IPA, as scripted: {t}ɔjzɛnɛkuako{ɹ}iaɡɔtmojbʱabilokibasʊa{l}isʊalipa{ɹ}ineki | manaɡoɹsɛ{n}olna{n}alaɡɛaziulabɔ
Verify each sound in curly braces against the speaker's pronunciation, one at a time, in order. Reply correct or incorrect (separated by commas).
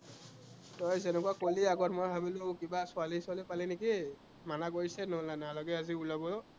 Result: correct, incorrect, correct, incorrect, correct, correct